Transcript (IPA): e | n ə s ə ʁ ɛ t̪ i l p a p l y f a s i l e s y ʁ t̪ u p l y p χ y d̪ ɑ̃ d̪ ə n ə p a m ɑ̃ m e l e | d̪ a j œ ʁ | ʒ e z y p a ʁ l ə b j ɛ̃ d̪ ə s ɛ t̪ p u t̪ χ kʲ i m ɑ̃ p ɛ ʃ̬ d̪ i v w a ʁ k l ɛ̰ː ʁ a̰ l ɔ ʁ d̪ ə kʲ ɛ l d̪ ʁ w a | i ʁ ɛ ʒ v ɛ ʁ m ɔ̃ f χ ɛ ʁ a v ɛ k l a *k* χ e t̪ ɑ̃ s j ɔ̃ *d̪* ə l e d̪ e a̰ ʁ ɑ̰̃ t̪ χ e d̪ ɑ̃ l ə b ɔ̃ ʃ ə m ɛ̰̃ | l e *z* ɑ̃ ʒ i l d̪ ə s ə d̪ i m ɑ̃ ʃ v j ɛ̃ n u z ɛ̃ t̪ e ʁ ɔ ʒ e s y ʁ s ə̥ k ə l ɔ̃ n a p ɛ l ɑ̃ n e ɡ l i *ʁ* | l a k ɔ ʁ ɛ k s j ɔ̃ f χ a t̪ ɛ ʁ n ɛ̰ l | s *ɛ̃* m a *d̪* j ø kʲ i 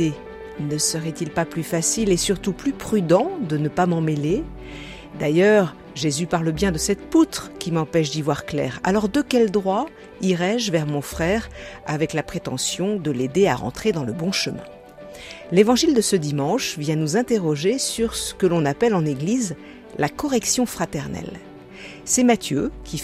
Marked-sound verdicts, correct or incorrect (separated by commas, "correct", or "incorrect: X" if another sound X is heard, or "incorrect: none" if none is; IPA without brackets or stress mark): incorrect: p, correct, incorrect: v, incorrect: z, incorrect: ɛ, incorrect: t̪